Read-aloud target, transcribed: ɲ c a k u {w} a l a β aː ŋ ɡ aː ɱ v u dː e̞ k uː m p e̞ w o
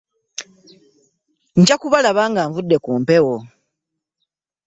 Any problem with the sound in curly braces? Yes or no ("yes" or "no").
yes